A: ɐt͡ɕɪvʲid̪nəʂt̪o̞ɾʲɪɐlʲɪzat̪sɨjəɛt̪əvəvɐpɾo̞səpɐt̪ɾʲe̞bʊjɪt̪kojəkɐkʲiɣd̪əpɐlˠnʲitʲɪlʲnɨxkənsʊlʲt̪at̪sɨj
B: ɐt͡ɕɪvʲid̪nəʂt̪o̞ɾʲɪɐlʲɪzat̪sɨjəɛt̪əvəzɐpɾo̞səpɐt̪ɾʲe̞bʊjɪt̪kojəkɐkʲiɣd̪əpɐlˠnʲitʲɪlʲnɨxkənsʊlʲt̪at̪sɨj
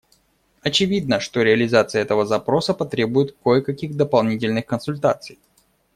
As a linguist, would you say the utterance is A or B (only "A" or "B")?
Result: B